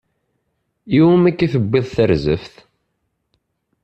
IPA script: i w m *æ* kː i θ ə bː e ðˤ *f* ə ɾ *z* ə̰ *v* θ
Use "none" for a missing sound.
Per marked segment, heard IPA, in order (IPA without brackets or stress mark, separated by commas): æ, θ, z, f